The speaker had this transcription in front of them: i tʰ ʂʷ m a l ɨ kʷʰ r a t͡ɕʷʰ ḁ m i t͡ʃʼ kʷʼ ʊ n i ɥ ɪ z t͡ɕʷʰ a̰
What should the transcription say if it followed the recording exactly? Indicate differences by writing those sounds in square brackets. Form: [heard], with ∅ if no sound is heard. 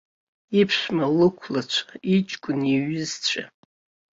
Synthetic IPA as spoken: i [pʰ] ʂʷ m a l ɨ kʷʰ [l] a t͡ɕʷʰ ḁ [∅] i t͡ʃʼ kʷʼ ʊ n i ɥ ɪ z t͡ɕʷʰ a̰